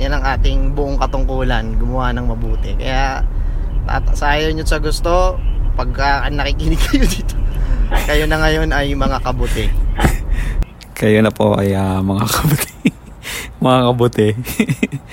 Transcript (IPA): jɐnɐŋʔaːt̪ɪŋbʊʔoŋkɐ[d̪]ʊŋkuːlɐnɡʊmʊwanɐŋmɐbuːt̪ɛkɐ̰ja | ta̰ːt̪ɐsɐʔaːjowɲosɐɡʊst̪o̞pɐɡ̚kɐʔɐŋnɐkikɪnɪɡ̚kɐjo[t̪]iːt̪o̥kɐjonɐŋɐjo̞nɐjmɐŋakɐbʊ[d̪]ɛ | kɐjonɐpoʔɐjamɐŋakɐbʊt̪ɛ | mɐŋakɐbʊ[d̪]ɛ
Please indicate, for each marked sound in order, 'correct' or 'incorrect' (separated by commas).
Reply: incorrect, incorrect, incorrect, incorrect